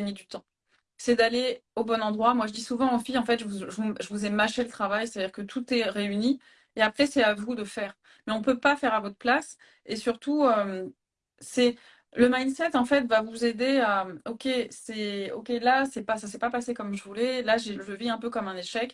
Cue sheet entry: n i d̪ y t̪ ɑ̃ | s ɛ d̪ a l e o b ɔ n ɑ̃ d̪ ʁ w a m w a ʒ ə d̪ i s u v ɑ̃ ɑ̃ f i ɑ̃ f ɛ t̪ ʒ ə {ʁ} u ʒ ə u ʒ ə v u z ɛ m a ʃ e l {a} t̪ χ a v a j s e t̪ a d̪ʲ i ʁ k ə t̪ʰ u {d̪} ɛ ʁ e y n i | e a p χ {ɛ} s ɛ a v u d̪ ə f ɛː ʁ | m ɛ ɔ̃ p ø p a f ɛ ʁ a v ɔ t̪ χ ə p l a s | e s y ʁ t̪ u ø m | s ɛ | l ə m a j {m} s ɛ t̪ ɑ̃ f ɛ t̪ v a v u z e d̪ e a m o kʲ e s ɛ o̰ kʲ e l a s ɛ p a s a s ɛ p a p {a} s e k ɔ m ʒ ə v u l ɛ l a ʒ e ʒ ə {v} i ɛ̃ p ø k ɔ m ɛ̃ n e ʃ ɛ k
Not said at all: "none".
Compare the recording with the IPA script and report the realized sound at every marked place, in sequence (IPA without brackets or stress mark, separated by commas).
v, ə, t̪, ɛ, n, a, v